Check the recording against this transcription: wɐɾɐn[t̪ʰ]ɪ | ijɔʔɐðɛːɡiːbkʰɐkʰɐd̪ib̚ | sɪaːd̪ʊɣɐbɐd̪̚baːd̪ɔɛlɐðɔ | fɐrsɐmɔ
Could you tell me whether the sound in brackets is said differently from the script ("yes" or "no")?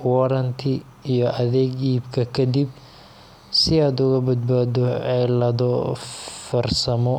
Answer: no